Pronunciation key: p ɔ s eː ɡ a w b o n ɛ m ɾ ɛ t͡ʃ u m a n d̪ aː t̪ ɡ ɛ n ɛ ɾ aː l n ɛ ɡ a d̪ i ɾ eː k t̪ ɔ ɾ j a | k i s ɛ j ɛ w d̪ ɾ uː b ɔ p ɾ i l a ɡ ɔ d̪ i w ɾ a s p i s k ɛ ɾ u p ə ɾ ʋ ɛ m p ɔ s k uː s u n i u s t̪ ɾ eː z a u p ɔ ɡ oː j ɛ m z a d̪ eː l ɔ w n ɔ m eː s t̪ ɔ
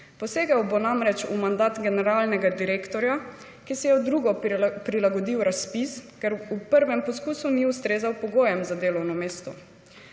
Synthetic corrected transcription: p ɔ s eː ɡ a w b o n a m ɾ ɛ t͡ʃ u m a n d̪ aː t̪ ɡ ɛ n ɛ ɾ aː l n ɛ ɡ a d̪ i ɾ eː k t̪ ɔ ɾ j a | k i s ɛ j ɛ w d̪ ɾ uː ɡ ɔ p ɾ i l a ɡ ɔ d̪ i w ɾ a s p i s k ɛ ɾ u p ə ɾ ʋ ɛ m p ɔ s k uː s u n i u s t̪ ɾ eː z a w p ɔ ɡ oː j ɛ m z a d̪ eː l ɔ w n ɔ m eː s t̪ ɔ

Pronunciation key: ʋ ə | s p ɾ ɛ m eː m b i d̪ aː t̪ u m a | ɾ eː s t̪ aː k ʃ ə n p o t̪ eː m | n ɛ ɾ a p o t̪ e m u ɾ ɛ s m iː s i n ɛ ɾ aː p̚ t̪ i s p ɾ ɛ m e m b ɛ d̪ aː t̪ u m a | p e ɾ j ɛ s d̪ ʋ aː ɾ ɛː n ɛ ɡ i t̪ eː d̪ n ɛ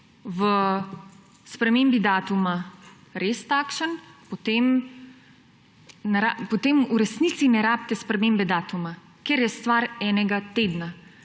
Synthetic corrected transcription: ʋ ə | s p ɾ ɛ m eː m b i d̪ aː t̪ u m a | ɾ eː s t̪ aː k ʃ ə n p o t̪ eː m | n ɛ ɾ a p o t̪ e m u ɾ ɛ s n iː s i n ɛ ɾ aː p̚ t̪ ɛ s p ɾ ɛ m e m b ɛ d̪ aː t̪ u m a | k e ɾ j ɛ s t̪ ʋ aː ɾ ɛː n ɛ ɡ a t̪ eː d̪ n a

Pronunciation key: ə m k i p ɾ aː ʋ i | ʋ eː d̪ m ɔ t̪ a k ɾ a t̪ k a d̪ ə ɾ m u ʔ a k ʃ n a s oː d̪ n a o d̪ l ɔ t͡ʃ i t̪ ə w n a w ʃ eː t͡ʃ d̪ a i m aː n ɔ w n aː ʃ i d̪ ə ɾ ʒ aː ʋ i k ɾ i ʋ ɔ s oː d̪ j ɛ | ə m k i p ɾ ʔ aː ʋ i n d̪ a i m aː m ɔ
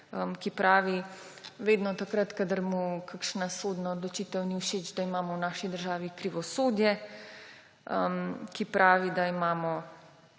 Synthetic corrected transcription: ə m k i p ɾ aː ʋ i | ʋ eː d̪ n ɔ t̪ a k ɾ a t̪ k a d̪ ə ɾ m u k a k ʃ n a s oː d̪ n a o d̪ l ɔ t͡ʃ i t̪ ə w n i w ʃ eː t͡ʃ d̪ a i m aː m ɔ w n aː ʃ i d̪ ə ɾ ʒ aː ʋ i k ɾ i ʋ ɔ s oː d̪ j ɛ | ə m k i p ɾ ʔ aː ʋ i d̪ a i m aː m ɔ

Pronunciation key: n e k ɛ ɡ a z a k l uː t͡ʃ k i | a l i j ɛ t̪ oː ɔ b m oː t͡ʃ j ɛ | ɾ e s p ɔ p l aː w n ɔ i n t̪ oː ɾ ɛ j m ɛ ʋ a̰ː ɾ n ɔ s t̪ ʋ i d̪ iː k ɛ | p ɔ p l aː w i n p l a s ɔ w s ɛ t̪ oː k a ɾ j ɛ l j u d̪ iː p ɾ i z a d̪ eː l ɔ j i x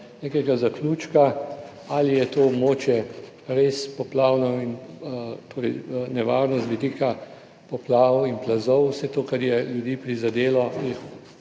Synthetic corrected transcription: n e k ɛ ɡ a z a k l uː t͡ʃ k a | a l i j ɛ t̪ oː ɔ b m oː t͡ʃ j ɛ | ɾ e s p ɔ p l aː w n ɔ i n t̪ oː ɾ ɛ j n ɛ ʋ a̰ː ɾ n ɔ s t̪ ʋ i d̪ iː k a | p ɔ p l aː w i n p l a z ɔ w s ɛ t̪ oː k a ɾ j ɛ l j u d̪ iː p ɾ i z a d̪ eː l ɔ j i x

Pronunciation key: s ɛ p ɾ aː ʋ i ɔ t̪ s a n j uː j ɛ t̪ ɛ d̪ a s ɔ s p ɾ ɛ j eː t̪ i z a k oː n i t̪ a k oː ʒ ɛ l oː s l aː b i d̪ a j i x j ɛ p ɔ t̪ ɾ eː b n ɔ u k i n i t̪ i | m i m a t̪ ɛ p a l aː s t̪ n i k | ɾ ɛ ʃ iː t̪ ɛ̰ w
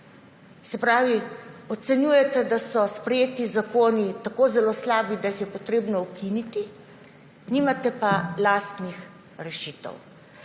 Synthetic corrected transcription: s ɛ p ɾ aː ʋ i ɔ t̪ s ɛ n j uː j ɛ t̪ ɛ d̪ a s ɔ s p ɾ ɛ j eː t̪ i z a k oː n i t̪ a k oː z ɛ l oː s l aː b i d̪ a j i x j ɛ p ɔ t̪ ɾ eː b n ɔ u k i n i t̪ i | n i m a t̪ ɛ p a l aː s t̪ n i x | ɾ ɛ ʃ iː t̪ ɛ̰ w

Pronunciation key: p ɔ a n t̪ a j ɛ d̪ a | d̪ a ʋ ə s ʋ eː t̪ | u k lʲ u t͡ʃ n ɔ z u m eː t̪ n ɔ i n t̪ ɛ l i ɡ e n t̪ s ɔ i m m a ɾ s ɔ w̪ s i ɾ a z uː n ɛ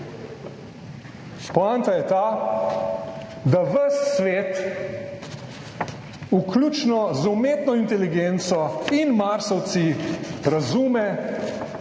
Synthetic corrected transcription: p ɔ a n t̪ a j ɛ t̪ a | d̪ a ʋ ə s ʋ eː t̪ | u k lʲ u t͡ʃ n ɔ z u m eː t̪ n ɔ i n t̪ ɛ l i ɡ e n t̪ s ɔ i n m a ɾ s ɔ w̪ s i ɾ a z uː m ɛ

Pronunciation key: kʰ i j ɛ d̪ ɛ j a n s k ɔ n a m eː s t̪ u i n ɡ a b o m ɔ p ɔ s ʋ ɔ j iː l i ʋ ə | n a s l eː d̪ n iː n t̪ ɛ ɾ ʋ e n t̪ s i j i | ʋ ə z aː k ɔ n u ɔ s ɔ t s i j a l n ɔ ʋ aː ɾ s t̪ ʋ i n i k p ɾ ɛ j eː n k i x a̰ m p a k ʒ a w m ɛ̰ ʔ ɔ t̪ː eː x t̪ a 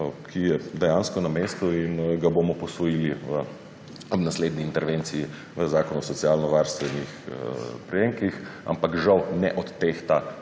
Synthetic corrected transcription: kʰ i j ɛ d̪ ɛ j a n s k ɔ n a m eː s t̪ u i n ɡ a b o m ɔ p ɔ s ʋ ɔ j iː l i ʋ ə | n a s l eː d̪ n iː n t̪ ɛ ɾ ʋ e n t̪ s i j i | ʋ ə z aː k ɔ n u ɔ s ɔ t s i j a l n ɔ ʋ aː ɾ s t̪ ʋ ɛ n i x p ɾ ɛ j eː ŋ k i x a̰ m p a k ʒ a w n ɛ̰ ʔ ɔ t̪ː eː x t̪ a

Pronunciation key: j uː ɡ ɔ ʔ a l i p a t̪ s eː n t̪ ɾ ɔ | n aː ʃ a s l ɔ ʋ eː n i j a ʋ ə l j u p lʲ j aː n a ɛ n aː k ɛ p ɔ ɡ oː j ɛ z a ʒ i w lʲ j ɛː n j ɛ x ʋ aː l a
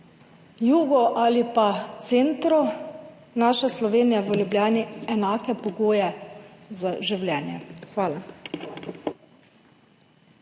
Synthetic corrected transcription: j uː ɡ ɔ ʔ a l i p a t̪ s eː n t̪ ɾ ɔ | n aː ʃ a s l ɔ ʋ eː n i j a ʋ ə l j u b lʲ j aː n i ɛ n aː k ɛ p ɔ ɡ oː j ɛ z a ʒ i w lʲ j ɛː n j ɛ x ʋ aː l a

